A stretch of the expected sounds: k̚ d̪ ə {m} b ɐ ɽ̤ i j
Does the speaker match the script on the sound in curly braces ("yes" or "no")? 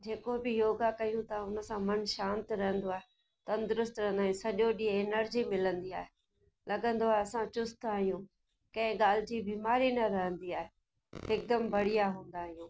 yes